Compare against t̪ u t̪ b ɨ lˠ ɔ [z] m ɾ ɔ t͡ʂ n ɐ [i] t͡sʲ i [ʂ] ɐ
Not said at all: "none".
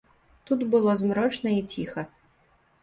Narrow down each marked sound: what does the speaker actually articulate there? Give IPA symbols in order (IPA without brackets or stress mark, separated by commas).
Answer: z, i, x